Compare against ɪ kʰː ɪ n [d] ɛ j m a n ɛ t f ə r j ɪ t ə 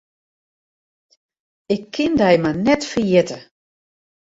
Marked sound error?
no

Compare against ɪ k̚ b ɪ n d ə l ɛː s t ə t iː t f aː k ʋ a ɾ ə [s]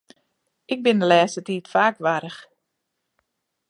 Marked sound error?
yes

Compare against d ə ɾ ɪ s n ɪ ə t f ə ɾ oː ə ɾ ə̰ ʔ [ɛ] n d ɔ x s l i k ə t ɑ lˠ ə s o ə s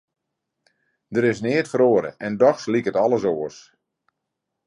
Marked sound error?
no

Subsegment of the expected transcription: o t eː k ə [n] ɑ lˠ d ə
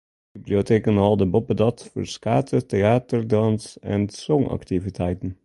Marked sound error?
no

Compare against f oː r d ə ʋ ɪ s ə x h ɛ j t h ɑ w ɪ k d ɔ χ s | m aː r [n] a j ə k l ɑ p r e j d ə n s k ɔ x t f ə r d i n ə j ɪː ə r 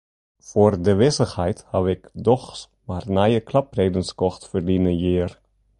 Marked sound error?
no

